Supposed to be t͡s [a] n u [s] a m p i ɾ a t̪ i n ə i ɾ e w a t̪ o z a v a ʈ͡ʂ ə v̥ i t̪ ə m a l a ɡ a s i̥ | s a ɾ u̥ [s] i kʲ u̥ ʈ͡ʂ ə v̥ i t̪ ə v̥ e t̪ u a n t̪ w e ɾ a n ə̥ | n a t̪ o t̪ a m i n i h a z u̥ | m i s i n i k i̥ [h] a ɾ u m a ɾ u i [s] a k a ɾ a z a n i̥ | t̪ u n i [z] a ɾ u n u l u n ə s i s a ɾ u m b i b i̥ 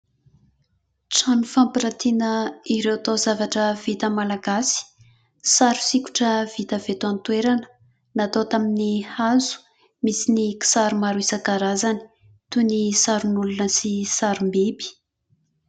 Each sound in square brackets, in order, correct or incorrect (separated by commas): correct, incorrect, correct, incorrect, correct, incorrect